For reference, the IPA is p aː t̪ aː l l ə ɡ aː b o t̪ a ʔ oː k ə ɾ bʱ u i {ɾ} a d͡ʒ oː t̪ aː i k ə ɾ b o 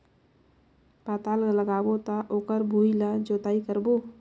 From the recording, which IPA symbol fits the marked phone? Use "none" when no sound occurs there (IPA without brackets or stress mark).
l